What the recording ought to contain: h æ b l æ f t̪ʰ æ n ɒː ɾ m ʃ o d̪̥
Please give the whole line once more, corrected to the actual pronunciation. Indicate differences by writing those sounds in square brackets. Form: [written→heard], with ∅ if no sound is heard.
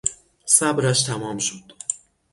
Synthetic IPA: [h→s] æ b [l→ɾ] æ [f→ʃ] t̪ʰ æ [n→m] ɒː [ɾ→∅] m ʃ o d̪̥